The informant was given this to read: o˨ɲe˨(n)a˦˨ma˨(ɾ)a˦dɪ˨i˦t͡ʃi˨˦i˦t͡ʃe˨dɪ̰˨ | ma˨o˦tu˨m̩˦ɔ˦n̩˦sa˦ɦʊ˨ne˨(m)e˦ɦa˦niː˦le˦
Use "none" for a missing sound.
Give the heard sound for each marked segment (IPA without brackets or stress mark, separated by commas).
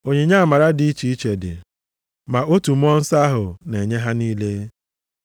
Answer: ɲ, ɾ, ɲ